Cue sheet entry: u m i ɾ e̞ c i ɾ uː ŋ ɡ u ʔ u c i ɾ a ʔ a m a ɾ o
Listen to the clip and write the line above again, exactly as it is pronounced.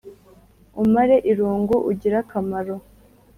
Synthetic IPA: u m a ɾ e̞ ʔ i ɾ uː ŋ ɡ u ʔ u ɟ i ɾ a k a m a ɾ o